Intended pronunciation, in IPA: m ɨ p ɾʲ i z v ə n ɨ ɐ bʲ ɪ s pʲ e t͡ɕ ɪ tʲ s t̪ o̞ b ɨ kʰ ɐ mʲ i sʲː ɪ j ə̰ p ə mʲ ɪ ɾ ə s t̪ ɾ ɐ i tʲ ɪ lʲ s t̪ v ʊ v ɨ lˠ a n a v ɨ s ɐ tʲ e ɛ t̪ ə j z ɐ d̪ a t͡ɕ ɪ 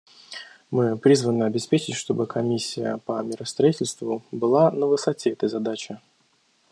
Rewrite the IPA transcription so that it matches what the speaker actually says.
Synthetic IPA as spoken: m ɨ p ɾʲ i z v ə n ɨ ɐ bʲ ɪ s pʲ e t͡ɕ ɪ tʲ ʂ t̪ o̞ b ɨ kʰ ɐ mʲ i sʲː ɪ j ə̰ p ə mʲ ɪ ɾ ə s t̪ ɾ ɐ i tʲ ɪ lʲ s t̪ v ʊ b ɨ lˠ a n ə v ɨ s ɐ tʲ e ɛ t̪ ə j z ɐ d̪ a t͡ɕ ɪ